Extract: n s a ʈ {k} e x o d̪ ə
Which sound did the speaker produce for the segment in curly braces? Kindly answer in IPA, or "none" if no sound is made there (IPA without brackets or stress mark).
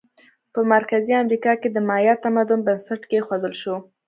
k